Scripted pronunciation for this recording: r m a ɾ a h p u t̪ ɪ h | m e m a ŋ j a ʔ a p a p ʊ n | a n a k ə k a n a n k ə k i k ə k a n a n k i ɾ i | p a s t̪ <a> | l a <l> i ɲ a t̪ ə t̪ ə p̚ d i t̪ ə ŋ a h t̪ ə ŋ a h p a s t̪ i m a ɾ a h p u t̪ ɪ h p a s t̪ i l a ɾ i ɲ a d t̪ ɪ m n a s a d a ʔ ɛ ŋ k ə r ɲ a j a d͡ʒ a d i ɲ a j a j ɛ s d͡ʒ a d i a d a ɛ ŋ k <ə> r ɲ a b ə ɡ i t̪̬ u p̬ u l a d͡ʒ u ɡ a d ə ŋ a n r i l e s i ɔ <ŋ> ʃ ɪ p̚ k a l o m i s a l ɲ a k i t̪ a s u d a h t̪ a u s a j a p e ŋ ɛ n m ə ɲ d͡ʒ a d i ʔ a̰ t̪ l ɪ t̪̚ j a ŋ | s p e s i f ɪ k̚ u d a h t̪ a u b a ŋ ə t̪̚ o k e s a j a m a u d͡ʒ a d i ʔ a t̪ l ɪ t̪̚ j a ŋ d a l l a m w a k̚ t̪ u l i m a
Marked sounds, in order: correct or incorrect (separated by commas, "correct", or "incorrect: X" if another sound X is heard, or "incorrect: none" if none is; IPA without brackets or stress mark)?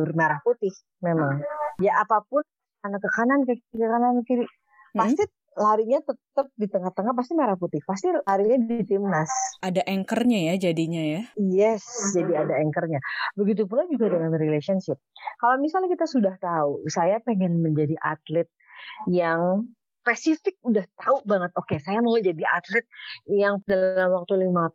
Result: incorrect: i, incorrect: ɾ, correct, incorrect: n